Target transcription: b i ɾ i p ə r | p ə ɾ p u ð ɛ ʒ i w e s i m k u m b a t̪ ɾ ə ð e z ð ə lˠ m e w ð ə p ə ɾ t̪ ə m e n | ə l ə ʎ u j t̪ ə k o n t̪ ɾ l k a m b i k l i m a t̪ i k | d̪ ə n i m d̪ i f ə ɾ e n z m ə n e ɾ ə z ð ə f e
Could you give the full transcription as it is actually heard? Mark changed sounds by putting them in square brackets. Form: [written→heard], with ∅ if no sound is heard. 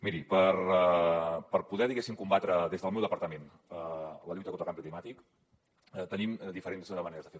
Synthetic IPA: [b→m] i ɾ i p ə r | p ə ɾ p u ð ɛ [ʒ→ð] i [w→ɣ] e s i m k u m b a t̪ ɾ ə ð e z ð ə lˠ m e w ð ə p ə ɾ t̪ ə m e n | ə l ə ʎ u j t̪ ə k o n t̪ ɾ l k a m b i k l i m a t̪ i k | [d̪→t̪] ə n i m d̪ i f ə ɾ e n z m ə n e ɾ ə z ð ə f e